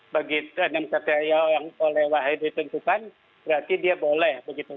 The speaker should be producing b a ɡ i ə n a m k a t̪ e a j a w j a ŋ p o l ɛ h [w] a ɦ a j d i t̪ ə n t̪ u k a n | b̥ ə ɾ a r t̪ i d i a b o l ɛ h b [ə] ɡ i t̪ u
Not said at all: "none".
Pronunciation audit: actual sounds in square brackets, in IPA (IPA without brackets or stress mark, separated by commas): w, ə